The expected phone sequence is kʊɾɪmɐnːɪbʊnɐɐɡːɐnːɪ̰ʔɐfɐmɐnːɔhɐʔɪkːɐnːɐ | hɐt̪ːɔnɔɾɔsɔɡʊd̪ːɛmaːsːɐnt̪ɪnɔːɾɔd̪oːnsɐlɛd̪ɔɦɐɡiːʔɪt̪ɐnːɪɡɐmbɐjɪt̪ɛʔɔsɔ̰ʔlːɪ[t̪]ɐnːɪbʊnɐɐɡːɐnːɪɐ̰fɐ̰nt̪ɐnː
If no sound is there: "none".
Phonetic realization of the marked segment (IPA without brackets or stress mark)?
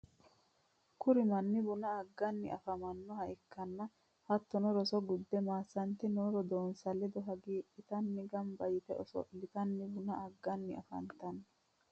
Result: t̪